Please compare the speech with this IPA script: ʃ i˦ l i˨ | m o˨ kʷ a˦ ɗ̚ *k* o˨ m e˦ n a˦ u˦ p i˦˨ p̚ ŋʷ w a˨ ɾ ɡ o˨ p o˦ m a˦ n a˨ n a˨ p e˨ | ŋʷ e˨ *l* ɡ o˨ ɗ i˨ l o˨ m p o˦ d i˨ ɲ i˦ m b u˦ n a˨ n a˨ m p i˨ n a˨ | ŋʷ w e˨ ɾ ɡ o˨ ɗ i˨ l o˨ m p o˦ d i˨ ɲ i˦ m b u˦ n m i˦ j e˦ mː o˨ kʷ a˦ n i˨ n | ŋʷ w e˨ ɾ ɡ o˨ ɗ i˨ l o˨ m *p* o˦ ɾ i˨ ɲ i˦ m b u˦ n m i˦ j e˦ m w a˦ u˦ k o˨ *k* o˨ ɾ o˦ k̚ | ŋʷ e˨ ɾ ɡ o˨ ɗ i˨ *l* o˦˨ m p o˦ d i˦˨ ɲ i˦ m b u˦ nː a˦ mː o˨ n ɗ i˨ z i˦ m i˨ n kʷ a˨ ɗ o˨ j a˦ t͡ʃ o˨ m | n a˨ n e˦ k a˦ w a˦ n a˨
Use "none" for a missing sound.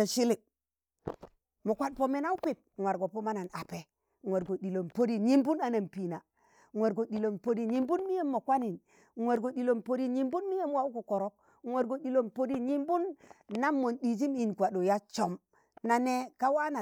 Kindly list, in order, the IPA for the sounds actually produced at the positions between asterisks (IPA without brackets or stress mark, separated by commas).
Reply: p, ɾ, p, k, l